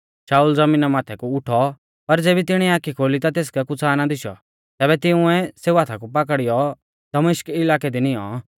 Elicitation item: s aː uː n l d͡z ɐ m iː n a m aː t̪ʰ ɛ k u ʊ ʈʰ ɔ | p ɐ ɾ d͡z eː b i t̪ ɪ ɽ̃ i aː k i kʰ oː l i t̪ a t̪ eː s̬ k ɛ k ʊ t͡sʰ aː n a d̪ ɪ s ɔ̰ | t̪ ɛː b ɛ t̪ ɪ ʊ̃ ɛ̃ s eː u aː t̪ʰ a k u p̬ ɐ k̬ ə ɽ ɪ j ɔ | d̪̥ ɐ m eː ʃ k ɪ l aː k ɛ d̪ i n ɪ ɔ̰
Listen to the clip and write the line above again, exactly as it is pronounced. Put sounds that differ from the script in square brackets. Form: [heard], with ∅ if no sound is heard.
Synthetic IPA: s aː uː [∅] l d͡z ɐ m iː n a m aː t̪ʰ ɛ k u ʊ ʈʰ ɔ | p ɐ ɾ d͡z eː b i t̪ ɪ ɽ̃ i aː k i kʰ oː l i t̪ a t̪ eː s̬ k ɛ k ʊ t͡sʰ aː n a d̪ ɪ [ʃ] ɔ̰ | t̪ ɛː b ɛ t̪ ɪ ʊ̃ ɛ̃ s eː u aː t̪ʰ a k u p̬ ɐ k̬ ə ɽ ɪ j ɔ | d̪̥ ɐ m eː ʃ k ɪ l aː k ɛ d̪ i n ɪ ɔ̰